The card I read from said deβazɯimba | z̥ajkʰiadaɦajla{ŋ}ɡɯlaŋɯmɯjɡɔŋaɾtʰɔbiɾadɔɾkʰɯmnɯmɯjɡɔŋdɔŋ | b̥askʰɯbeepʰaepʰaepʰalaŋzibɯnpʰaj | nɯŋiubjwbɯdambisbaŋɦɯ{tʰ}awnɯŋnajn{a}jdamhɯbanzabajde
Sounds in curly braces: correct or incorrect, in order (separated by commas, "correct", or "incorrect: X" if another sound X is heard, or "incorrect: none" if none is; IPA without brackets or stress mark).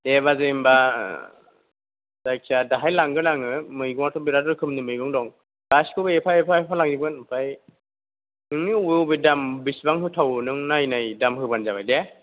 correct, correct, correct